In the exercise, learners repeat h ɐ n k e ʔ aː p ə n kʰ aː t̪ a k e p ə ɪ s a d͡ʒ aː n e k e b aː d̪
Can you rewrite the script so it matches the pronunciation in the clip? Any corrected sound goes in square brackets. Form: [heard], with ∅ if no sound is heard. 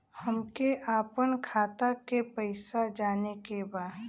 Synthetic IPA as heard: h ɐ [m] k e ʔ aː p ə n kʰ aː t̪ a k e p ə ɪ s a d͡ʒ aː n e k e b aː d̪